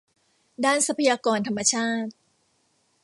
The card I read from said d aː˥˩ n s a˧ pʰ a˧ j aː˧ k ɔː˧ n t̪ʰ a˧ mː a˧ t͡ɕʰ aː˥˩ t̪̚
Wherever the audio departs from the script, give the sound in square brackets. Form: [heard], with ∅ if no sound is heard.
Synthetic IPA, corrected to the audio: d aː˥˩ n s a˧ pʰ a˧ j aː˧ k ɔː˧ n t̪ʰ a˧ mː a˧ t͡ɕʰ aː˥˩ t̪̚